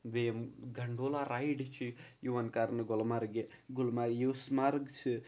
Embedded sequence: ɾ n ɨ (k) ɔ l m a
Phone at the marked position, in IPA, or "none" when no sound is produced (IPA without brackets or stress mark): ɡ